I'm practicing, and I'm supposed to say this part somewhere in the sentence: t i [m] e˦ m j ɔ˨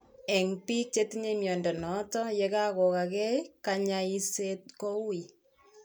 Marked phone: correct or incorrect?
incorrect